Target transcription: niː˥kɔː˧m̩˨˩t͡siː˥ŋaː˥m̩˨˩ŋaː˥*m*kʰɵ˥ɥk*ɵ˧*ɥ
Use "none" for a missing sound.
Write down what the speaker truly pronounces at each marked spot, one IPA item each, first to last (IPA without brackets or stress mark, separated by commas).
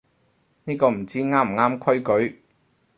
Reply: m, ɵ˨˥